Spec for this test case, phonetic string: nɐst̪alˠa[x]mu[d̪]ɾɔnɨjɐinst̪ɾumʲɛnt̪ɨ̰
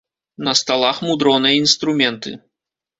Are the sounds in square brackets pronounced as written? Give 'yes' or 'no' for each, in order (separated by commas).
yes, yes